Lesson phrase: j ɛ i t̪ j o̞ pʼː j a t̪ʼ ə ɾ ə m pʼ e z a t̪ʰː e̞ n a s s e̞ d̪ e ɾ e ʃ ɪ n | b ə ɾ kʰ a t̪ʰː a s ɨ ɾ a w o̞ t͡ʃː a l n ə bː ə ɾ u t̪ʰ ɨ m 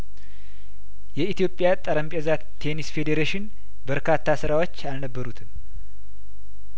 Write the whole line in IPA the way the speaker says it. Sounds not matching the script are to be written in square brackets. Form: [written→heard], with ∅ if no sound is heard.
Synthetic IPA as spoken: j ɛ i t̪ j o̞ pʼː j a t̪ʼ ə ɾ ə m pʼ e z a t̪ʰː e̞ n [a→i] s [s→f] e̞ d̪ e ɾ e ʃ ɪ n | b ə ɾ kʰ a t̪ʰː a s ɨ ɾ a w o̞ t͡ʃː a l n ə bː ə ɾ u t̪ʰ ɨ m